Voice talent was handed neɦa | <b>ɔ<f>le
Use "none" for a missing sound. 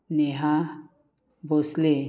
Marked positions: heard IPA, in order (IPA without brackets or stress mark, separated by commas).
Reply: b, s